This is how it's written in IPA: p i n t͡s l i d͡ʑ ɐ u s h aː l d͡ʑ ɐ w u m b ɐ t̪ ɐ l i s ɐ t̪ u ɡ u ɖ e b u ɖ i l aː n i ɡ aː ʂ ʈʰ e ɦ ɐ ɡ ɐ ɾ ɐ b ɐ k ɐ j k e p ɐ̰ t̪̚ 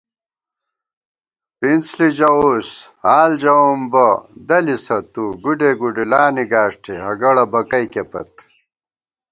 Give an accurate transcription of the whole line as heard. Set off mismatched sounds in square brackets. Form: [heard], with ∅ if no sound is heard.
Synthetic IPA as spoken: p i n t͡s l i d͡ʑ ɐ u s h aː l d͡ʑ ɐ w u m b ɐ [d̪] ɐ l i s ɐ t̪ u ɡ u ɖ e [ɡ] u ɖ i l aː n i ɡ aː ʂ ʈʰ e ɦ ɐ ɡ ɐ [ɽ] ɐ b ɐ k ɐ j k e p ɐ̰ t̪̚

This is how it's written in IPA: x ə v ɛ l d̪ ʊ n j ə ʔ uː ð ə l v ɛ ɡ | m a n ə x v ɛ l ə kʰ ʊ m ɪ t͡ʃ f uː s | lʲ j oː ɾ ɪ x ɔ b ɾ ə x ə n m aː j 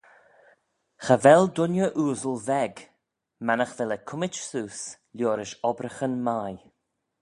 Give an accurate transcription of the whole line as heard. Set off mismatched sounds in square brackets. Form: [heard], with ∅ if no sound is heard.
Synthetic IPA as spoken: x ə v ɛ l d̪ ʊ n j ə ʔ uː [z] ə l v ɛ ɡ | m a n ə x v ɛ l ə kʰ ʊ m ɪ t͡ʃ [s] uː s | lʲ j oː ɾ ɪ [ʃ] ɔ b ɾ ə x ə n m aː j

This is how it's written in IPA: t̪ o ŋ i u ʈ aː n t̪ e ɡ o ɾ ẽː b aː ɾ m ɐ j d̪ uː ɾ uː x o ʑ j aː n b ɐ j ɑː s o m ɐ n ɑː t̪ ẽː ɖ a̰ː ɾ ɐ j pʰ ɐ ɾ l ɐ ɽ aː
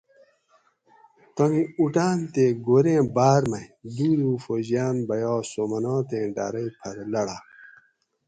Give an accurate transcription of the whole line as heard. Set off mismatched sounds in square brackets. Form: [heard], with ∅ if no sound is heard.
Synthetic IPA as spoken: t̪ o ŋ i u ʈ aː n t̪ e ɡ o ɾ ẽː b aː ɾ m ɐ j d̪ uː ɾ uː [f] o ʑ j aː n b ɐ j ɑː s o m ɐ n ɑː t̪ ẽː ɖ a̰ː ɾ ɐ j pʰ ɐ ɾ l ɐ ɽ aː

